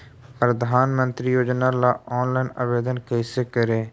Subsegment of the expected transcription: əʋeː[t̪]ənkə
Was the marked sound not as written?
yes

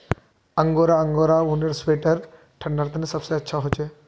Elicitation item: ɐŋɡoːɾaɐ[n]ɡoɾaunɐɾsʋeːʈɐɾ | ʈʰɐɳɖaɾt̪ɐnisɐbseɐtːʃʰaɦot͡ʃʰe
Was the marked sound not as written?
yes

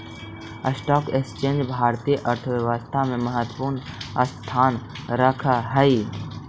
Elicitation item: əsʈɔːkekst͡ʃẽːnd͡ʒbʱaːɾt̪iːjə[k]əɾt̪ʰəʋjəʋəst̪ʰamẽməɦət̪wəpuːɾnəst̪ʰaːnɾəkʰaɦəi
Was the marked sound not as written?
yes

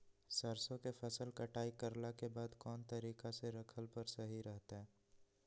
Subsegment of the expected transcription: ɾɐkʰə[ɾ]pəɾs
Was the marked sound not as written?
yes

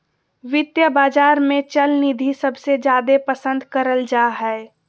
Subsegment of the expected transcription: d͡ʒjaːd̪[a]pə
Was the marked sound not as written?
yes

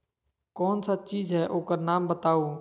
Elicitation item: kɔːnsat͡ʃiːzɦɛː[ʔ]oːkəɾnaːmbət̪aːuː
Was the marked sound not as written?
no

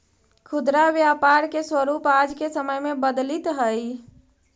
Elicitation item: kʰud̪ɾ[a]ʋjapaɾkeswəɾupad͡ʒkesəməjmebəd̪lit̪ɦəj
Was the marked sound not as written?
no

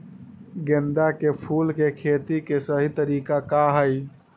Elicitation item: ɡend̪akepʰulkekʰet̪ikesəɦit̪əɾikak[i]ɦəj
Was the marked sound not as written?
yes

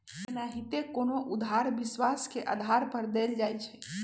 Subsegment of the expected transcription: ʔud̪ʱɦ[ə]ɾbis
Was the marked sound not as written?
yes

